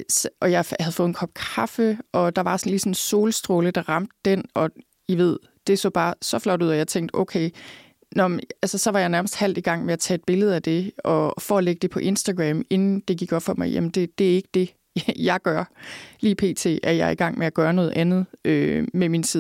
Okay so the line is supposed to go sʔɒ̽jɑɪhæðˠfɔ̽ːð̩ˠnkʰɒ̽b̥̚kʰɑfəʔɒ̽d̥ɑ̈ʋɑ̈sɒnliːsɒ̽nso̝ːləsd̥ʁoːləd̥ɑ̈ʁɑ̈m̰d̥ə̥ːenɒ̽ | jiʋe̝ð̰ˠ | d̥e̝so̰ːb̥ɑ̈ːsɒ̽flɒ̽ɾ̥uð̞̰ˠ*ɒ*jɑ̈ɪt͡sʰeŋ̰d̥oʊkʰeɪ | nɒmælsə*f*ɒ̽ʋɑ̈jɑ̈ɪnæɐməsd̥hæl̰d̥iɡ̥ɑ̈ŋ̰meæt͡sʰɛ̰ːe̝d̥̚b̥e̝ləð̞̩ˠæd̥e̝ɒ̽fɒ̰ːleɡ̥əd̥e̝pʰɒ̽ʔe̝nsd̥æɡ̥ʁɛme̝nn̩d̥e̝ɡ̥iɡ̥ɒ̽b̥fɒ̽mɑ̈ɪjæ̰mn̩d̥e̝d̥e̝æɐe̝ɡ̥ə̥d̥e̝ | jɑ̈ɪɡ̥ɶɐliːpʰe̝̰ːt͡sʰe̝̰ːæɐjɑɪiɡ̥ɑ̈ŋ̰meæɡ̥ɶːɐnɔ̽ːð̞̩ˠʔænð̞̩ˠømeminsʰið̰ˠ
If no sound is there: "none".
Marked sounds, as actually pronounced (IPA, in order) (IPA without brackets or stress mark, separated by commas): ɒ, s